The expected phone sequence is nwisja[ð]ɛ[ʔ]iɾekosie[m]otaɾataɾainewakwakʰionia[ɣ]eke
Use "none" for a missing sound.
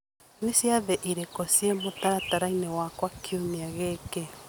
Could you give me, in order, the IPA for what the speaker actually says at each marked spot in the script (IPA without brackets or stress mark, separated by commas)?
ð, ʔ, m, ɣ